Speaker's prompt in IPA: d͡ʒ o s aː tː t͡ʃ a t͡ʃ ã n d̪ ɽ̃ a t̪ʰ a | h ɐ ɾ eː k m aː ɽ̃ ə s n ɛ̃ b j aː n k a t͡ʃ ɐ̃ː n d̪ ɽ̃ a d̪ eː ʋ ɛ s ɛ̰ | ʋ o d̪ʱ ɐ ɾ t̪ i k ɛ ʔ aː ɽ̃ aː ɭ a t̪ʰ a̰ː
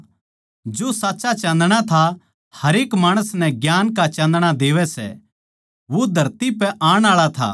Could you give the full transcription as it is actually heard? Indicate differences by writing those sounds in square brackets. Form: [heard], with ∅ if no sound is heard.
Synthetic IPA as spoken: d͡ʒ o s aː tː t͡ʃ a t͡ʃ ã n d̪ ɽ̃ a t̪ʰ a | h ɐ ɾ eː k m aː ɽ̃ ə s n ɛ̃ [ɡ] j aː n k a t͡ʃ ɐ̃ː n d̪ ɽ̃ a d̪ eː ʋ ɛ s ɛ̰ | ʋ o d̪ʱ ɐ ɾ t̪ i [p] ɛ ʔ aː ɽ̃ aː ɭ a t̪ʰ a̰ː